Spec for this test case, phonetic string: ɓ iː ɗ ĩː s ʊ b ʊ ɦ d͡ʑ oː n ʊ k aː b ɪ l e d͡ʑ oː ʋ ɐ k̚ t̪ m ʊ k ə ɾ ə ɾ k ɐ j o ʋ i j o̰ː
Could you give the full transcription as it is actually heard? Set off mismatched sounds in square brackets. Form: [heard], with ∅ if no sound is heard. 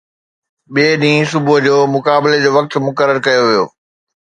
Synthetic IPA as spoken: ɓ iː ɗ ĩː s ʊ b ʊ ɦ d͡ʑ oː [m] ʊ k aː b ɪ l e d͡ʑ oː ʋ ɐ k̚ t̪ m ʊ k ə ɾ ə ɾ k ɐ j o ʋ i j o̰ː